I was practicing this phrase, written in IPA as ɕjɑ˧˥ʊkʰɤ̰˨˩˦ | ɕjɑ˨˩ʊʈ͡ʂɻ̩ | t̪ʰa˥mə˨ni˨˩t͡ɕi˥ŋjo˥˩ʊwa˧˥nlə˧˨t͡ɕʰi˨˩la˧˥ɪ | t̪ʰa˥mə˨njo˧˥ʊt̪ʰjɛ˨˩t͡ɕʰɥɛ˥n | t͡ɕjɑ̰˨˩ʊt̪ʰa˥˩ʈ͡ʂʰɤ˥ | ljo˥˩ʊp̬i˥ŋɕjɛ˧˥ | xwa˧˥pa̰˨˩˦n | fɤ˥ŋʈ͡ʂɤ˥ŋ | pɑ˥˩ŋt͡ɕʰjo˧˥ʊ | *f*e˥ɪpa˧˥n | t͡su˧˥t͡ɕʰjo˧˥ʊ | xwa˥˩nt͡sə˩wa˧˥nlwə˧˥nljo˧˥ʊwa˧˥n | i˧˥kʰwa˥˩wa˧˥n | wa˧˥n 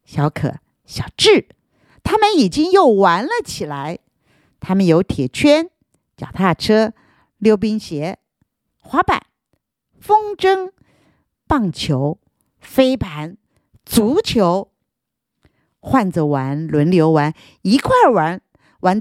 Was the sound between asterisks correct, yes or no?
yes